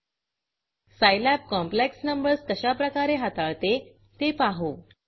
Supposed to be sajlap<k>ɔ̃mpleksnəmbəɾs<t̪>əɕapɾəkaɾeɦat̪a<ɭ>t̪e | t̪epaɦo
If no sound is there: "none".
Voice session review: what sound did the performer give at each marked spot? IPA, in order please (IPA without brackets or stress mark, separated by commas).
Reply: k, t̪, ɭ